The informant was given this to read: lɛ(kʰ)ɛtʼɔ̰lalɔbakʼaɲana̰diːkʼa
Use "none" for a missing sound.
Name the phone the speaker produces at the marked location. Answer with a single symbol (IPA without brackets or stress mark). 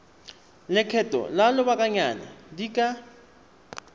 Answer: kʰ